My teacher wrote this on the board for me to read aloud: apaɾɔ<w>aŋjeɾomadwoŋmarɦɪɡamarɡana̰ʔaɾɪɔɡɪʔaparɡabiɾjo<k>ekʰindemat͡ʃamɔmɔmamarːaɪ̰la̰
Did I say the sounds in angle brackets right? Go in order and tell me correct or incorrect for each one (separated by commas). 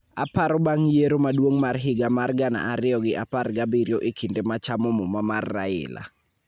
incorrect, incorrect